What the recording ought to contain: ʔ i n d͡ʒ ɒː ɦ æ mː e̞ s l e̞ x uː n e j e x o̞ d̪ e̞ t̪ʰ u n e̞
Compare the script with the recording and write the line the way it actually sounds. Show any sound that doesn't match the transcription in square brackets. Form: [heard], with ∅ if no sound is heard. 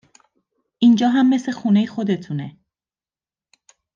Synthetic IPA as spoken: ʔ i n d͡ʒ ɒː ɦ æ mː e̞ s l e̞ x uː n e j e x o̞ d̪ e̞ t̪ʰ u n e̞